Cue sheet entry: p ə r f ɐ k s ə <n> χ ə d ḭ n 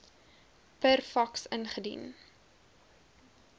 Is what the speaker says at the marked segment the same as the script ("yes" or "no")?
yes